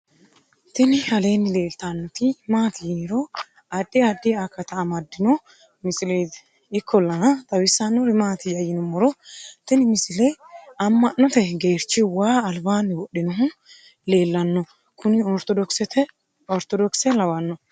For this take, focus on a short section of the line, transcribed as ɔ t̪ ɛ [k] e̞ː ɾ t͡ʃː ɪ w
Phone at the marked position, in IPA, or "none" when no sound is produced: ɡ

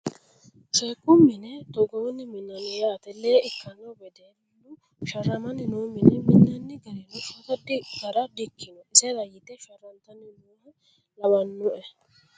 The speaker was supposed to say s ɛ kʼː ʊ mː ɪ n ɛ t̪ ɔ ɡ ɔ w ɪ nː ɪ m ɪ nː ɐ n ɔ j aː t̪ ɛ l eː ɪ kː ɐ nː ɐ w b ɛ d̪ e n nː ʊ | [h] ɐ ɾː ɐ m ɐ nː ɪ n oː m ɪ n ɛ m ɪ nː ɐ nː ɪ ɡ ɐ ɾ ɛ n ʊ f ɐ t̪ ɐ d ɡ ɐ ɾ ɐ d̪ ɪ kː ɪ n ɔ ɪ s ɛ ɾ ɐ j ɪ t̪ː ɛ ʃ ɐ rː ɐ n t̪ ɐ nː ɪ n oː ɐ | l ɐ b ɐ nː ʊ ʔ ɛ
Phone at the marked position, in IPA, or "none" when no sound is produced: ʃ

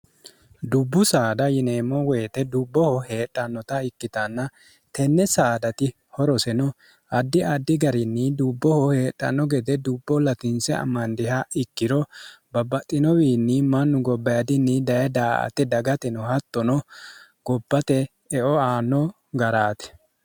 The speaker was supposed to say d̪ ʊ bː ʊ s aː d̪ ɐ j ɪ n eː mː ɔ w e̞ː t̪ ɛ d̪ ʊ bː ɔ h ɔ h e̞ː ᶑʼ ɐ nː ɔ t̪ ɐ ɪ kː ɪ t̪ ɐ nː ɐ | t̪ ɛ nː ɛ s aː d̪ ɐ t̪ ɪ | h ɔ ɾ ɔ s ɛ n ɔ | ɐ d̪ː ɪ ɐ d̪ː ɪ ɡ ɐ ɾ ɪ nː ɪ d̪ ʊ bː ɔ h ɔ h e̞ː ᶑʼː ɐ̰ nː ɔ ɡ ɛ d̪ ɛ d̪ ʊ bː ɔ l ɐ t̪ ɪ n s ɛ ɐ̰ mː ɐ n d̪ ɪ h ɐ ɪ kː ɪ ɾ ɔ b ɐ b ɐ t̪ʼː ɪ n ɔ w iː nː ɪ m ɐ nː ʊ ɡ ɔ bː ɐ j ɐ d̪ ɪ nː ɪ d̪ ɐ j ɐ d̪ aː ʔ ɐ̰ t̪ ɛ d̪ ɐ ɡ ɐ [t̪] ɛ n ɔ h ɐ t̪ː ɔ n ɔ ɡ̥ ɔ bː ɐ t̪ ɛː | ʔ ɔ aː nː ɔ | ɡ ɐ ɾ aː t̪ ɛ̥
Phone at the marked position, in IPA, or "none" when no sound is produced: t̪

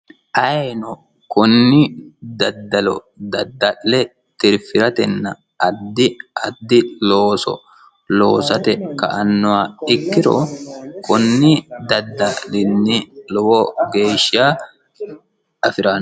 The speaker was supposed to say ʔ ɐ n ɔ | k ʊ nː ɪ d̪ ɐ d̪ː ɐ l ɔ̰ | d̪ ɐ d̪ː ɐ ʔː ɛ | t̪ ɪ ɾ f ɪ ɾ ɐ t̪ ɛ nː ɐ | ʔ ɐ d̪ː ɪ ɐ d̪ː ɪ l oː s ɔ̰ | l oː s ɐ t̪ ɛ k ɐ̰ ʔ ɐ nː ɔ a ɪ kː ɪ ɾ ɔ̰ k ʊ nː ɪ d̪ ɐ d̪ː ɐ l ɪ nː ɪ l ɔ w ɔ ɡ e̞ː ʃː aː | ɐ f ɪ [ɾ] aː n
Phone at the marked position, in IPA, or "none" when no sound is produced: ɾ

